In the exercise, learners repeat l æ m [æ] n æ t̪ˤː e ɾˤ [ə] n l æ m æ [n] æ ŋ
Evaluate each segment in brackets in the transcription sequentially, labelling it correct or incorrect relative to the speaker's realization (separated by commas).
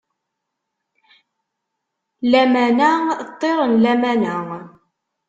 correct, correct, correct